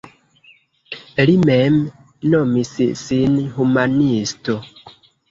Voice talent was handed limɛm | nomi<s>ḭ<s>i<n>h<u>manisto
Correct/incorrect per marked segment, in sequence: correct, correct, correct, correct

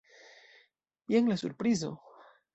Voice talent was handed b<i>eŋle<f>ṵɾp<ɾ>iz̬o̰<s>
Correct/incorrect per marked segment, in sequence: incorrect, incorrect, correct, incorrect

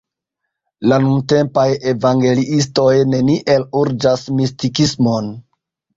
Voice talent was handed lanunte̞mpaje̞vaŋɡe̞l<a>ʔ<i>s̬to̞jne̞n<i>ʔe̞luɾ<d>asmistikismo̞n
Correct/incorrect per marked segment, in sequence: incorrect, correct, correct, incorrect

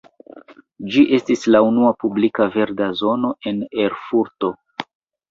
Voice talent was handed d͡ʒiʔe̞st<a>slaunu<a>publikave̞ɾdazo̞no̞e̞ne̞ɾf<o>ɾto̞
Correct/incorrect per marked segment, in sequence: incorrect, correct, incorrect

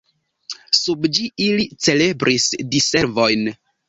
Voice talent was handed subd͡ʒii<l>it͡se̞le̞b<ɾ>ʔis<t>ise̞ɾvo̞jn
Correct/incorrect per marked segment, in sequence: correct, correct, incorrect

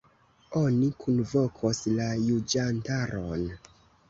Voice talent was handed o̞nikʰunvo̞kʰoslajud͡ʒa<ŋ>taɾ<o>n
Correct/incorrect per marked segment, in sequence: incorrect, correct

